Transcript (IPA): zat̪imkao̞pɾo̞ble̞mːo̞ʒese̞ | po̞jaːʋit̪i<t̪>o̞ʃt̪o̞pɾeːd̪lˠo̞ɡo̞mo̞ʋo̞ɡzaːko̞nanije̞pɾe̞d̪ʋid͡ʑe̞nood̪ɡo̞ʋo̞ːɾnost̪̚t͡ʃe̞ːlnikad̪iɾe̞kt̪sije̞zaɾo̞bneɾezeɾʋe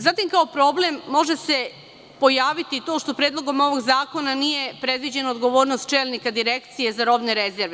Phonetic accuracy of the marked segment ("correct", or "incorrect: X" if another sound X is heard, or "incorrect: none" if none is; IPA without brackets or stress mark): correct